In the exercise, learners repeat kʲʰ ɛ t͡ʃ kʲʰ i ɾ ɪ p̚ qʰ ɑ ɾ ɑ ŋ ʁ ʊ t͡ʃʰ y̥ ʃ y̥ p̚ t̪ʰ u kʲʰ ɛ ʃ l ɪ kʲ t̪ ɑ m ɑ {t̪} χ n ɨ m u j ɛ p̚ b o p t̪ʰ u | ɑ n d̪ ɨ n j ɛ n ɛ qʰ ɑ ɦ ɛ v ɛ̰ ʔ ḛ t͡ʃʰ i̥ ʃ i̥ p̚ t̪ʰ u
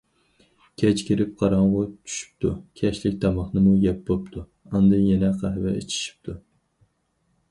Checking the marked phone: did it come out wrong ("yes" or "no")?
yes